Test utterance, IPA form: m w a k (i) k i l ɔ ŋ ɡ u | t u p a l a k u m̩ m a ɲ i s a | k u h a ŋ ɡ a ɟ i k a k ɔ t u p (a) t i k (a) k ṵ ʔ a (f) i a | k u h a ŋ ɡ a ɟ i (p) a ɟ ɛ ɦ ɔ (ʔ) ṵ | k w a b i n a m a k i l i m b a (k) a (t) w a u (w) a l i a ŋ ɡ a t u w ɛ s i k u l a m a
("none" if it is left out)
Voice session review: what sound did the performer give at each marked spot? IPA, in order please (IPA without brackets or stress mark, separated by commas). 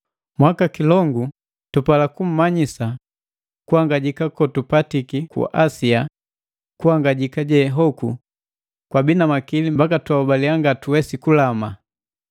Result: a, a, i, s, k, k, k, t, b